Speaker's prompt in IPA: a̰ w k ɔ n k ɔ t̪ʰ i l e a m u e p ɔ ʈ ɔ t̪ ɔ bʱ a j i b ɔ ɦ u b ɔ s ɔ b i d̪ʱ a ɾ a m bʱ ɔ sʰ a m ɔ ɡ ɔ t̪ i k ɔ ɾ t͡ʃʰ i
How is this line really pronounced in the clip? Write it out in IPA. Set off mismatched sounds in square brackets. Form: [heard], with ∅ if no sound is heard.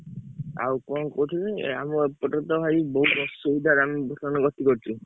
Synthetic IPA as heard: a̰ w k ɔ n k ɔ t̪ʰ i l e a m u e p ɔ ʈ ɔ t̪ ɔ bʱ a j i b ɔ ɦ u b ɔ s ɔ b i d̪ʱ a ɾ a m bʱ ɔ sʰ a [n] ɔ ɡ ɔ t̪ i k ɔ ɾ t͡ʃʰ i